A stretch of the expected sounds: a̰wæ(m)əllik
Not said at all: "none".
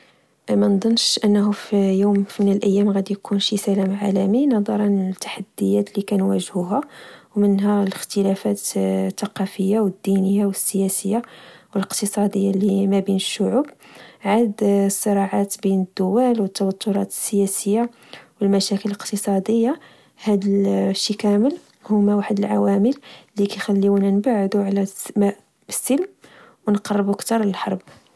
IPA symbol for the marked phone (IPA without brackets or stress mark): m